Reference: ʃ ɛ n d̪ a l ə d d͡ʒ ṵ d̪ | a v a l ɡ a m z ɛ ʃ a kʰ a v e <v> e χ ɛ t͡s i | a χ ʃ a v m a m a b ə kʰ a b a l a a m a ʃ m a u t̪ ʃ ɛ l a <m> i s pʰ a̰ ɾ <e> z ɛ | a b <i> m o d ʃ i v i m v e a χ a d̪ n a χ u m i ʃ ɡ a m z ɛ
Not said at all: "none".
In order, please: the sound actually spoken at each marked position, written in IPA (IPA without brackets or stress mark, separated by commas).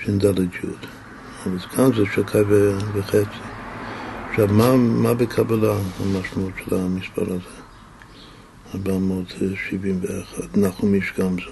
v, m, a, a